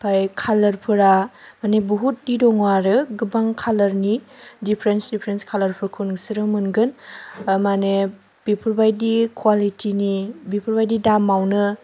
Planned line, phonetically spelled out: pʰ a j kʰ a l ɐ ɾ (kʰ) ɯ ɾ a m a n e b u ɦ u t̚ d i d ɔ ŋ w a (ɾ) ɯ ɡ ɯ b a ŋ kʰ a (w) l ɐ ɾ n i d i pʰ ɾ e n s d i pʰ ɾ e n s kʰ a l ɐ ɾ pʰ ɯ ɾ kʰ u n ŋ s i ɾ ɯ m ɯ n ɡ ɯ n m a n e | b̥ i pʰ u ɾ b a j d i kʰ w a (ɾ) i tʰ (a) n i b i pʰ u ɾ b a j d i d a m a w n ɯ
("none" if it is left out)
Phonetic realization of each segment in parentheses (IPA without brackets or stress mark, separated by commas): pʰ, ɾ, none, l, i